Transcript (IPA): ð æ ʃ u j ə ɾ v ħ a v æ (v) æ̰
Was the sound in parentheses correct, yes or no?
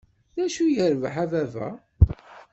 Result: yes